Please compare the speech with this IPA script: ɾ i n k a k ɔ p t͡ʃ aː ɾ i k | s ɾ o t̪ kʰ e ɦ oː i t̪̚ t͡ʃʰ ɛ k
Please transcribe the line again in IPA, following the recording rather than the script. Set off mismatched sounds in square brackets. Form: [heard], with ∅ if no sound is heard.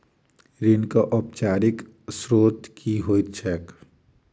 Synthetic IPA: ɾ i n k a [ʔ] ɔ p t͡ʃ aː ɾ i k | s ɾ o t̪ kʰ [i] ɦ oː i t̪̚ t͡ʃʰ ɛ k